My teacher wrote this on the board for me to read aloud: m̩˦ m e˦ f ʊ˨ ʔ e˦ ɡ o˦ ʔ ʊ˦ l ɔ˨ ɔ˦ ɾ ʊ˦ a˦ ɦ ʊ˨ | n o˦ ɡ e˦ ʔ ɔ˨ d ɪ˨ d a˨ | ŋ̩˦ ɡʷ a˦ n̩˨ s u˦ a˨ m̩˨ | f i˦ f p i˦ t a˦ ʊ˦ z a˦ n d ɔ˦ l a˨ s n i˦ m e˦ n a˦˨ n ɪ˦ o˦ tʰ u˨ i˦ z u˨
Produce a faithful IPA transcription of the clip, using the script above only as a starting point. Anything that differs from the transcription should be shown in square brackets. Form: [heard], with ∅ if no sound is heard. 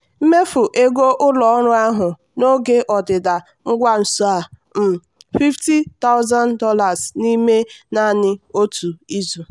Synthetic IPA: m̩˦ m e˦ f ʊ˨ ʔ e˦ ɡ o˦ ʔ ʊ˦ l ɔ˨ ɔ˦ ɾ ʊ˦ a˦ ɦ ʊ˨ | n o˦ ɡ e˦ ʔ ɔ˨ d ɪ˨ d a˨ | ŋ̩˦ ɡʷ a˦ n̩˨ s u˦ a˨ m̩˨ | f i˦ f [t] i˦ t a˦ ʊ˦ z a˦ n d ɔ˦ l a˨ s n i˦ m e˦ n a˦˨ n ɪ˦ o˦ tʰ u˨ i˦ z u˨